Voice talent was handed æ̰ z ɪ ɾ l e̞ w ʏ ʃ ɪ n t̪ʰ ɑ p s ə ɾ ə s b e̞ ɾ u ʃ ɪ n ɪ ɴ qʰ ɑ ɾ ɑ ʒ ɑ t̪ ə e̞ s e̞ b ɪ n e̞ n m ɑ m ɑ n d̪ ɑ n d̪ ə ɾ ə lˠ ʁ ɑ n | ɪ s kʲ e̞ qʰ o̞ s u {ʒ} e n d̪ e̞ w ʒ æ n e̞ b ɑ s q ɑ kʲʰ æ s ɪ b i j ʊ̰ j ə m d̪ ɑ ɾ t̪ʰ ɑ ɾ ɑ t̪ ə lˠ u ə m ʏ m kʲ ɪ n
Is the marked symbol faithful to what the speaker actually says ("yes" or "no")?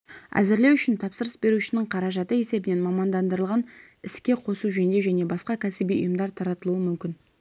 yes